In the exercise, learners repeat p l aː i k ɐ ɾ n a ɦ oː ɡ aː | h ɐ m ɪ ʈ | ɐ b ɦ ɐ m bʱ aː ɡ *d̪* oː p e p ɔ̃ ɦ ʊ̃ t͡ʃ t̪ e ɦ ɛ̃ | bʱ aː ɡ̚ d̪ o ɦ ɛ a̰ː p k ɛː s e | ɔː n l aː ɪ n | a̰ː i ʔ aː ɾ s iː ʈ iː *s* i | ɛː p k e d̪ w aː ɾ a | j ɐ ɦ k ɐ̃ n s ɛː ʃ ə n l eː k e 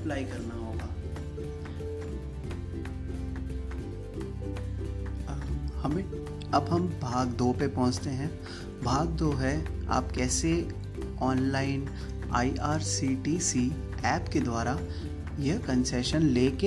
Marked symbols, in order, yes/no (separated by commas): yes, yes